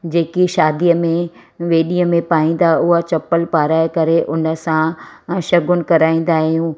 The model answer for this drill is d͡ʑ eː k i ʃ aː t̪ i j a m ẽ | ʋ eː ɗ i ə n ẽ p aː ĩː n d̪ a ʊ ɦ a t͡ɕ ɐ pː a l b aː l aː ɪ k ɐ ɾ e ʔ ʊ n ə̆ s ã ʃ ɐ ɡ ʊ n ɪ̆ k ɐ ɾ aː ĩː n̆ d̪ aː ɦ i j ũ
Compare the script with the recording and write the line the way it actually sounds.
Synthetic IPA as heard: d͡ʑ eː k i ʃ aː d̪ i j ə m ẽ | ʋ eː ɗ i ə m ẽ p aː ĩː n d̪ a ʊ ɦ a t͡ɕ ɐ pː ə l p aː ɾ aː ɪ k ɐ ɾ e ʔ ʊ n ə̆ s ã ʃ ɐ ɡ ʊ n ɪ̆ k ɐ ɾ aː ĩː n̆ d̪ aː ɦ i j ũ